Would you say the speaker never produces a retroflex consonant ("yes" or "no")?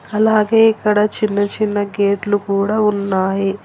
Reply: no